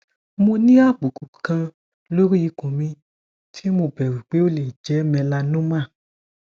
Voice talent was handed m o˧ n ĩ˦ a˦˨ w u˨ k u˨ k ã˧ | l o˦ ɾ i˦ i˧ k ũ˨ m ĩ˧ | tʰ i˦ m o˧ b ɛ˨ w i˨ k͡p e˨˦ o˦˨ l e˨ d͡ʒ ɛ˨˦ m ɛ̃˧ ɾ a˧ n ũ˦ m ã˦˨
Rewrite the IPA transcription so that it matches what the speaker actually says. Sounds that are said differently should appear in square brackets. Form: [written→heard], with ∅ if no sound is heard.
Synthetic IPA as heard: m o˧ n ĩ˦ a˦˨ [w→b] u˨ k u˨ k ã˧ | l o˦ ɾ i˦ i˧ k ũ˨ m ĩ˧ | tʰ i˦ m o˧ b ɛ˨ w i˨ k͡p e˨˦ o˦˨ l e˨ d͡ʒ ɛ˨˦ m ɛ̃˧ [ɾ→l] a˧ n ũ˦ m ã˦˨